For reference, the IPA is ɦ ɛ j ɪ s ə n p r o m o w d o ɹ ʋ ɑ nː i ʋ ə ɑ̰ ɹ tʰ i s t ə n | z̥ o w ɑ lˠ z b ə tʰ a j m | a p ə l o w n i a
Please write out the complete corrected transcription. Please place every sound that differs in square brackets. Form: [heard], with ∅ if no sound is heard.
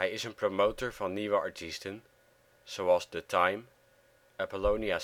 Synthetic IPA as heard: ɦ ɛ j ɪ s ə n p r o m o w [t] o ɹ [v] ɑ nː i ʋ ə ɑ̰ ɹ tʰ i s t ə n | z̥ o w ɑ lˠ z [d] ə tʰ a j m | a p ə l o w n i a